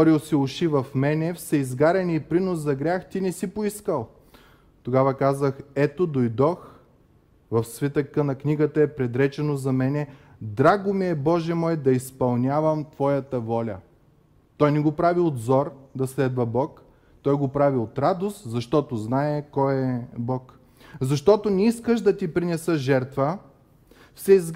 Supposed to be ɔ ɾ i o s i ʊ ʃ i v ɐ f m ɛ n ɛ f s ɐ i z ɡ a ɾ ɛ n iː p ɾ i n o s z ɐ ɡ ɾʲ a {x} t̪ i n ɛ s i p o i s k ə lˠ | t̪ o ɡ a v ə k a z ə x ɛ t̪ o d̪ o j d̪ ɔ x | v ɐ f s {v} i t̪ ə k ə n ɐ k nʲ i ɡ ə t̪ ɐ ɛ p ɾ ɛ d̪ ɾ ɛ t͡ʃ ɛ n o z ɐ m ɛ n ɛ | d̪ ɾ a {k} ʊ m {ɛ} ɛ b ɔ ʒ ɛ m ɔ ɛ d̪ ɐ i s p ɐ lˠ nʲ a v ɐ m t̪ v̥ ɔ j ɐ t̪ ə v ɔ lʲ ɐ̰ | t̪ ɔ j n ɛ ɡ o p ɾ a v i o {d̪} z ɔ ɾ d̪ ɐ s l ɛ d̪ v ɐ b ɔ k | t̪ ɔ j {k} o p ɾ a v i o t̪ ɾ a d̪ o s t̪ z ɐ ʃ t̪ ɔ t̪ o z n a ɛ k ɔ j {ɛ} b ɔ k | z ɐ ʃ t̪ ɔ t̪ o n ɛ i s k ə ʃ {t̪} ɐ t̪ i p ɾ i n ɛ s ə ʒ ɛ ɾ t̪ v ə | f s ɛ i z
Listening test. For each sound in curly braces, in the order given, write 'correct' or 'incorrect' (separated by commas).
correct, correct, incorrect, incorrect, correct, incorrect, correct, incorrect